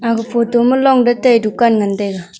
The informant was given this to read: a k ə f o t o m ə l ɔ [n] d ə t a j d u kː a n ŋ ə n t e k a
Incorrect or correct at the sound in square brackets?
incorrect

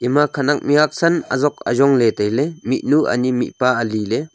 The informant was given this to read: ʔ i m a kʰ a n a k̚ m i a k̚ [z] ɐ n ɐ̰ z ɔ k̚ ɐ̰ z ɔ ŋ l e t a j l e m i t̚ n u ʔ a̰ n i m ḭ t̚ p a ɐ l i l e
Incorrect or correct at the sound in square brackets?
incorrect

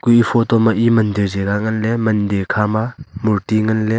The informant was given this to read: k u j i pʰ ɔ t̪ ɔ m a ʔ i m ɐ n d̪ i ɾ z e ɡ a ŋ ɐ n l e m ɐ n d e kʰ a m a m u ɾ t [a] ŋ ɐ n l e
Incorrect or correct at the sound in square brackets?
incorrect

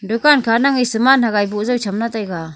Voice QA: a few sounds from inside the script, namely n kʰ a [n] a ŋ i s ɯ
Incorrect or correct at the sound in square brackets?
correct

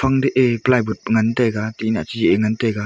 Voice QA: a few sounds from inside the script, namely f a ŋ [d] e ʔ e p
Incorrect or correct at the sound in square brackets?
correct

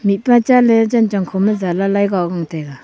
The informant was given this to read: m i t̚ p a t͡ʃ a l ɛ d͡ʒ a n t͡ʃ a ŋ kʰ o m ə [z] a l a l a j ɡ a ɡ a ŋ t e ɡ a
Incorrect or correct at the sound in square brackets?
correct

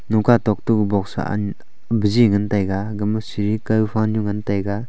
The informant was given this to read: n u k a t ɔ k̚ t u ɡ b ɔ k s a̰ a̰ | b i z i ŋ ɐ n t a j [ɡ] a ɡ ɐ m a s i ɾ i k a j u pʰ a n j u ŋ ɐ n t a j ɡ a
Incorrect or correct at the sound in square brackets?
correct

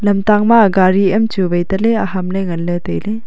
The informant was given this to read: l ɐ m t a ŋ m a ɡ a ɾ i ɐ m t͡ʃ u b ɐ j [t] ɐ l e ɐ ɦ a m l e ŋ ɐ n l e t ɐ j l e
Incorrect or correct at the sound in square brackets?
correct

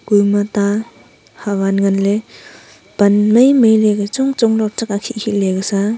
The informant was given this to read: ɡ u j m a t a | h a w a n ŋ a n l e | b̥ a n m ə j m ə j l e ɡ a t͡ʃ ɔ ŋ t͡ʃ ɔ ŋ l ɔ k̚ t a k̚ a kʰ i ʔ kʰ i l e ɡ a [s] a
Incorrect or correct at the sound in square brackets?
correct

